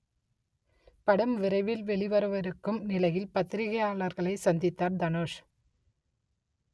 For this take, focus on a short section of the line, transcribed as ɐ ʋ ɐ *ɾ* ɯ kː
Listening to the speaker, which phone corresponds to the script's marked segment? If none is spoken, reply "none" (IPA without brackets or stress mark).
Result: ɾ